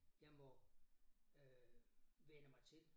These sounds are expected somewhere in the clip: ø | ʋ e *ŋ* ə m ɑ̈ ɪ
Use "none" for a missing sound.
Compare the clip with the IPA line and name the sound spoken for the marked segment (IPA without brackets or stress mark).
n